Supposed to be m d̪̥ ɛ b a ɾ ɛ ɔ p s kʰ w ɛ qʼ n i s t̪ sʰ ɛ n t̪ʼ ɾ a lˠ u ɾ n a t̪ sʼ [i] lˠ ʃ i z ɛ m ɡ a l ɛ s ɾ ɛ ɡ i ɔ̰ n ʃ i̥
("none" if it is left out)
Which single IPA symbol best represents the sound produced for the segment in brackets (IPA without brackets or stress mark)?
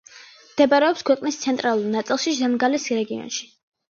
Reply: i